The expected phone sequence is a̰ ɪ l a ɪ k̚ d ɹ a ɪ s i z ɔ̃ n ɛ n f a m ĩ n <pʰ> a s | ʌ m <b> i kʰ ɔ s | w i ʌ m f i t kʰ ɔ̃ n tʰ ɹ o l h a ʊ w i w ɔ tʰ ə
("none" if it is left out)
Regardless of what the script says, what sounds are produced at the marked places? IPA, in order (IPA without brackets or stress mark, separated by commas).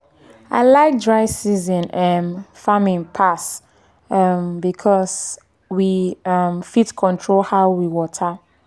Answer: pʰ, b